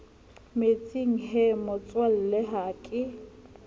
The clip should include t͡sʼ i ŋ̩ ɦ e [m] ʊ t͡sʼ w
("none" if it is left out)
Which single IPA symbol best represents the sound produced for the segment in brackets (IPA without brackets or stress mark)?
m